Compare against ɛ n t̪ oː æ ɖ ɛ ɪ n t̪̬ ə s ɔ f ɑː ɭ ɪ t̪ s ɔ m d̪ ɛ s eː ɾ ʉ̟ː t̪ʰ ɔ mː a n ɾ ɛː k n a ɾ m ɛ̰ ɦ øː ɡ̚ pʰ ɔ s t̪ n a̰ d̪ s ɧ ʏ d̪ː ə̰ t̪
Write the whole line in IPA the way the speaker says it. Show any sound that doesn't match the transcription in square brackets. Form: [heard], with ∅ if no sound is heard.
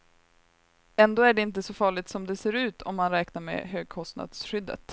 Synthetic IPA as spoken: ɛ n [d̪] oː æ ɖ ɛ ɪ n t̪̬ ə s ɔ f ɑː ɭ ɪ t̪ s ɔ m d̪ ɛ s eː ɾ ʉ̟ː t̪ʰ ɔ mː a n ɾ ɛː k n a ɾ m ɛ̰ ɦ øː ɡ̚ [kʰ] ɔ s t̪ n a̰ d̪ s ɧ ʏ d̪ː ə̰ t̪